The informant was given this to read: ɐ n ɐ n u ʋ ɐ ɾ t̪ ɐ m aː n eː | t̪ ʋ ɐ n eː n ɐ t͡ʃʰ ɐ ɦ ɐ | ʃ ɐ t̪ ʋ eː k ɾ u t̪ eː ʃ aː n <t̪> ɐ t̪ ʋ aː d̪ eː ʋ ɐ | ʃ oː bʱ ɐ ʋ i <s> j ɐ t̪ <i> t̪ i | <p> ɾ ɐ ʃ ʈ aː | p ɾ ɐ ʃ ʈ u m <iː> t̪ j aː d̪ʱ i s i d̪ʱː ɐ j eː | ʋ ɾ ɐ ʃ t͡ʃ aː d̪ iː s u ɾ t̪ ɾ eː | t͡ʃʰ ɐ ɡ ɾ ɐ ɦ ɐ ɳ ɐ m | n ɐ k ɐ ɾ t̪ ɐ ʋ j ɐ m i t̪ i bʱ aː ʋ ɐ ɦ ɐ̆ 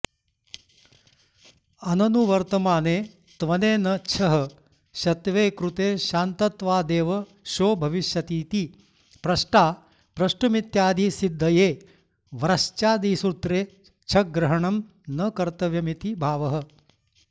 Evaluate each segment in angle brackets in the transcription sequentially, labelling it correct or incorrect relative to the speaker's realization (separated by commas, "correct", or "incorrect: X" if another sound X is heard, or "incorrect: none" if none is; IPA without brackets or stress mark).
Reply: correct, incorrect: ʃ, incorrect: iː, correct, incorrect: i